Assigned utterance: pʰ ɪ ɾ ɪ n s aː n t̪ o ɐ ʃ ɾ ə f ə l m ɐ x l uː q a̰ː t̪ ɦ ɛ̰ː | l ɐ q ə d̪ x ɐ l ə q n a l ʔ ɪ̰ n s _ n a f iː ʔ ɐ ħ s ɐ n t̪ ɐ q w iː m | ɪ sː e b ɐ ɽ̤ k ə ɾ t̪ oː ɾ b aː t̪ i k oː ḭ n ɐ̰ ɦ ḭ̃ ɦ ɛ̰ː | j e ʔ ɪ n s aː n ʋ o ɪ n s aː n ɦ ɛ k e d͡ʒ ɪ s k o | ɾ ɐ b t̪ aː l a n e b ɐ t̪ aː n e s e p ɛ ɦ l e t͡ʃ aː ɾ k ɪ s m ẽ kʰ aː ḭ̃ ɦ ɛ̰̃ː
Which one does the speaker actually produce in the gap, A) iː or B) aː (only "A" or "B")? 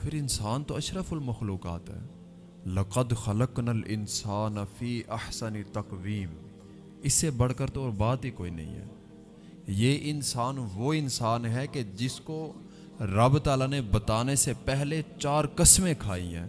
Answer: B